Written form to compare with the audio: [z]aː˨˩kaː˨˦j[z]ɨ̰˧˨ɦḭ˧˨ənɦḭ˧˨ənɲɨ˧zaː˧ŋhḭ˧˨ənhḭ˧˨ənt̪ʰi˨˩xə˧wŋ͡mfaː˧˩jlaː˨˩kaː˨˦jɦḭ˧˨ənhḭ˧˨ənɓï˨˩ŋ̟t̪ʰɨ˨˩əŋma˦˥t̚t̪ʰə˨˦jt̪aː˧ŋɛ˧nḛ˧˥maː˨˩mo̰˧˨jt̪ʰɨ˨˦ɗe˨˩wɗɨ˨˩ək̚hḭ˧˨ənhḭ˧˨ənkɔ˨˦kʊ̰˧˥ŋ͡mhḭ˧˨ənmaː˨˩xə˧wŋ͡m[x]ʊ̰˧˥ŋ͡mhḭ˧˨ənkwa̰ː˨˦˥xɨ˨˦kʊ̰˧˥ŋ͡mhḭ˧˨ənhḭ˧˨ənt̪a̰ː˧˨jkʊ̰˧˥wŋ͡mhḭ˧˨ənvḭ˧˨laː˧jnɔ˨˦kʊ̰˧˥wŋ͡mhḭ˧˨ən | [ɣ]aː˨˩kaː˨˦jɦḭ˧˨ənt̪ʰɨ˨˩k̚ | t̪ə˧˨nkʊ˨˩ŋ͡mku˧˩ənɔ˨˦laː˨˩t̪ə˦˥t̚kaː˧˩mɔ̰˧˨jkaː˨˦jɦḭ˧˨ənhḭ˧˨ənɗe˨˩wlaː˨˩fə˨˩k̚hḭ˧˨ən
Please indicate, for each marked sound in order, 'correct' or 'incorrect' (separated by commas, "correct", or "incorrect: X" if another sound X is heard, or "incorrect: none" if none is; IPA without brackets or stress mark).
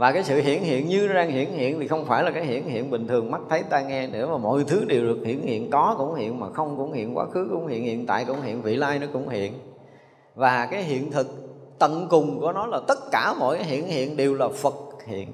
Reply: incorrect: v, incorrect: s, incorrect: k, incorrect: v